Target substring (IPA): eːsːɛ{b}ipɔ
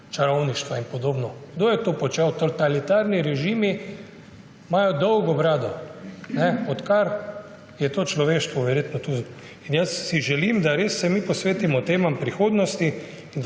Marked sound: incorrect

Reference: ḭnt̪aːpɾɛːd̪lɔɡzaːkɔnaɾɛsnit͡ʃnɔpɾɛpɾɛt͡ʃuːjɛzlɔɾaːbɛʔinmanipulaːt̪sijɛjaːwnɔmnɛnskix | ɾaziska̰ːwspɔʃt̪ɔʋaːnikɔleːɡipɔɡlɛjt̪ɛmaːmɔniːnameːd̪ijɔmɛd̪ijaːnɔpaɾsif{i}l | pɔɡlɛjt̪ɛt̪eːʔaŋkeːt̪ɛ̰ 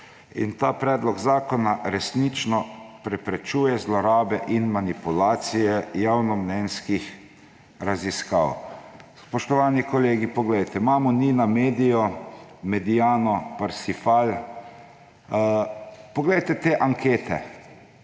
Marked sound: incorrect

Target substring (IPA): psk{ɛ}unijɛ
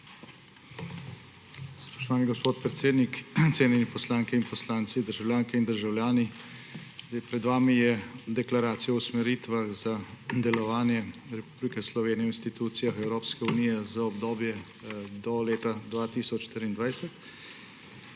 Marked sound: correct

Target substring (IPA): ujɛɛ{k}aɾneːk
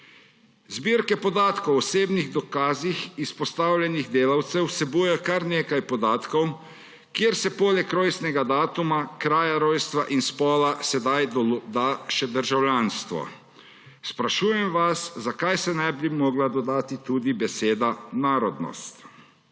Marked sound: correct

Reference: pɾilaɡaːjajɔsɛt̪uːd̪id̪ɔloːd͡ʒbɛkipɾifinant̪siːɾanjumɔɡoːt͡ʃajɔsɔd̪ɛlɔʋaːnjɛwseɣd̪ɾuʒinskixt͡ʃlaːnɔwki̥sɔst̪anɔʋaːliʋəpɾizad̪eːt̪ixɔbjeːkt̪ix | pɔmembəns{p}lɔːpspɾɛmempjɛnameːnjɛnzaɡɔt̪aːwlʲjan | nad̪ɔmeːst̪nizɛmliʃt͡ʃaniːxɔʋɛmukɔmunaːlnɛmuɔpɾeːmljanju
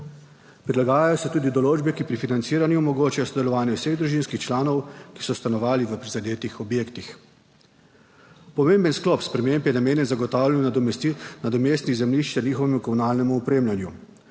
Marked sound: incorrect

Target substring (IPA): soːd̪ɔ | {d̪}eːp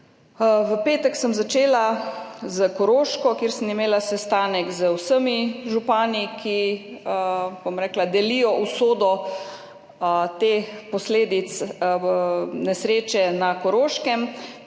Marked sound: incorrect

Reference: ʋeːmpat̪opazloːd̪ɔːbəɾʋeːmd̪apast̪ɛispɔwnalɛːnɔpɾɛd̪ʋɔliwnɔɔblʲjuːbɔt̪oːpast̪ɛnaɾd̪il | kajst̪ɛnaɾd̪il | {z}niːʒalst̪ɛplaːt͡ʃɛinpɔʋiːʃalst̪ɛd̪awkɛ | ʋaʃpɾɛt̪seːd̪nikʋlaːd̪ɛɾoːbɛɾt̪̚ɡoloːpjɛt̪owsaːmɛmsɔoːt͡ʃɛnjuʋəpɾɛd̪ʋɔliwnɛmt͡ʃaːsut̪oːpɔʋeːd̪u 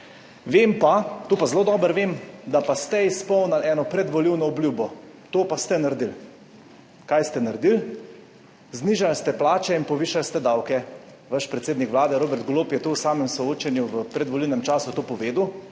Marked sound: correct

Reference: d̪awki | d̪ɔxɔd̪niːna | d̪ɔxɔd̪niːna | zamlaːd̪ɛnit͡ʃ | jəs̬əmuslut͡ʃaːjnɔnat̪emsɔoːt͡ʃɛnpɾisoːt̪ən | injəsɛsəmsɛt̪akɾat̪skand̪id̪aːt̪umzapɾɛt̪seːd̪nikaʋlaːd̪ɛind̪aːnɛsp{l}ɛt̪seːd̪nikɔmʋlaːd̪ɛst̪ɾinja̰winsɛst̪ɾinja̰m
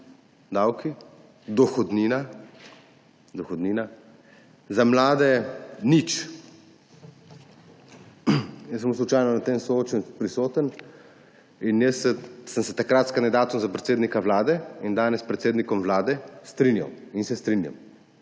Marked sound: incorrect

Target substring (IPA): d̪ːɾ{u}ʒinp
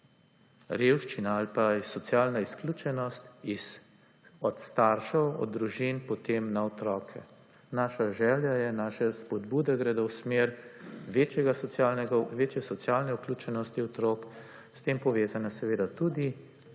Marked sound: correct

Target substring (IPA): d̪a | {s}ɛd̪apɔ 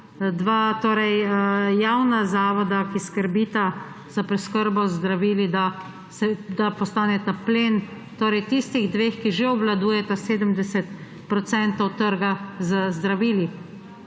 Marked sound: correct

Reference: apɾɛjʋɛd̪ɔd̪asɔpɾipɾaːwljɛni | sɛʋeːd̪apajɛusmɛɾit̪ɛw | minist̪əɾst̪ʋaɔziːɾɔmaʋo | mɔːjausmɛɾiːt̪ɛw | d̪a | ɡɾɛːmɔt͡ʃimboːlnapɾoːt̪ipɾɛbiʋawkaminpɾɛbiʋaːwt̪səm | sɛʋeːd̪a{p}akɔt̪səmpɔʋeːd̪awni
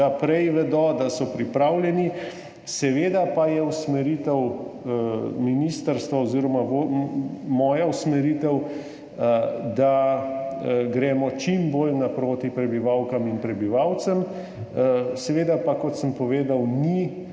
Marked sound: correct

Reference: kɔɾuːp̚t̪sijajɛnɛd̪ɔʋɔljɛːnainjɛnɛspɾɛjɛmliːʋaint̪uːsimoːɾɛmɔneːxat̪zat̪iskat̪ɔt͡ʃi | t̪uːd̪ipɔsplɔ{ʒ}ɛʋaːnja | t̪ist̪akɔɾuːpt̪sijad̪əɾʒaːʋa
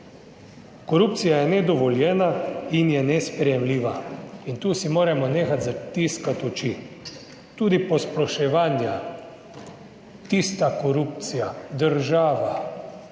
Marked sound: incorrect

